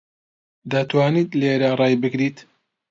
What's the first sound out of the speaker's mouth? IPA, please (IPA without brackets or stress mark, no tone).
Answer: d̪